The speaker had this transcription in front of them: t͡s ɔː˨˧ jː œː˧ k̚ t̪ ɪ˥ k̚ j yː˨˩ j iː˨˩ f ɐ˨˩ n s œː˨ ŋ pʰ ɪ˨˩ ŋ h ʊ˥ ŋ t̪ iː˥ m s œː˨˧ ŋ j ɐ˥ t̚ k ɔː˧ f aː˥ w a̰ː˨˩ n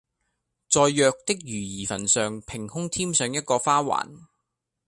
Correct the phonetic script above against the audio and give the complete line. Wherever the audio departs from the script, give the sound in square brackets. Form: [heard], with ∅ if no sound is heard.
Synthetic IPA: t͡s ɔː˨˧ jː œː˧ k̚ t̪ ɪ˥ k̚ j yː˨˩ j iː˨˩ f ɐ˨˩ n s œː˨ ŋ pʰ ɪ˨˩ ŋ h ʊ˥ ŋ [t̪ʰ] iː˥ m s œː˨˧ ŋ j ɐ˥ t̚ k ɔː˧ f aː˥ w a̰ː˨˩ n